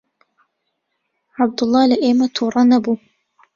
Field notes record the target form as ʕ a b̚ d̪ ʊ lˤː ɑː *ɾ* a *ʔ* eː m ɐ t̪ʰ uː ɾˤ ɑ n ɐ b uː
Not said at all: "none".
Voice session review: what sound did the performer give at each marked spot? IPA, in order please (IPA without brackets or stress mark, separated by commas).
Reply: l, ʔ